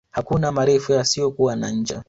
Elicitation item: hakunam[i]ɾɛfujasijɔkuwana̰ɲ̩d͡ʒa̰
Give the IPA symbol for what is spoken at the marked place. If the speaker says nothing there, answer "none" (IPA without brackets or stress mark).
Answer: a